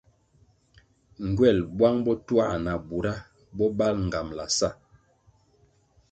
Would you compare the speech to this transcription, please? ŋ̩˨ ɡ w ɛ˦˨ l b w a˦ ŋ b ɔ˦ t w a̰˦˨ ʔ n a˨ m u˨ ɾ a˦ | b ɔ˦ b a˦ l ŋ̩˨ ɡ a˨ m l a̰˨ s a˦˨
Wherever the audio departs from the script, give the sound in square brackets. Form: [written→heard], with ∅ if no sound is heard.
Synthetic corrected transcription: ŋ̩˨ ɡ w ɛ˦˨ l b w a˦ ŋ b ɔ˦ t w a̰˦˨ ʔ n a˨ [m→b] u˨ ɾ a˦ | b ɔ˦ b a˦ l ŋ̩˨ ɡ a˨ m l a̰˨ s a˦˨

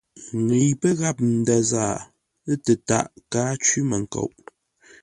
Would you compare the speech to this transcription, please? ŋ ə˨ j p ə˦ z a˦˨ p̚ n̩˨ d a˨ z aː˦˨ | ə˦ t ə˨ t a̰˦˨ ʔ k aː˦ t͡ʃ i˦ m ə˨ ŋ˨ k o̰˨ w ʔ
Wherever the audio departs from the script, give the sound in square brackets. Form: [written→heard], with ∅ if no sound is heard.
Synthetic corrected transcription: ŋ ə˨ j p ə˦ [z→ɣ] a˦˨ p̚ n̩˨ d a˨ z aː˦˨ | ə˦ t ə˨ t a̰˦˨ ʔ k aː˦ t͡ʃ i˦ m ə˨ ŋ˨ k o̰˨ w ʔ

